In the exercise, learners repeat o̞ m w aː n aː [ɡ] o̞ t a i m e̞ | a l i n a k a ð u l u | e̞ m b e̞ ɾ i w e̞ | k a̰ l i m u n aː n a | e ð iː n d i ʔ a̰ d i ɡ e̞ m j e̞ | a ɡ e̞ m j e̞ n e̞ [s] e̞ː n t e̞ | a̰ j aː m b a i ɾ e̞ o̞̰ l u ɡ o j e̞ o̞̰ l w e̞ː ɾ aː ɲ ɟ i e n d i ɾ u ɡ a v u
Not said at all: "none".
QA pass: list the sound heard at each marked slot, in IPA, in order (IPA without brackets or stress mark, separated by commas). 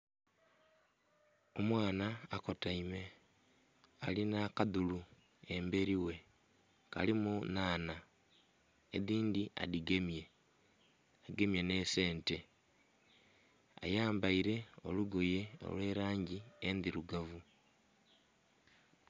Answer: k, s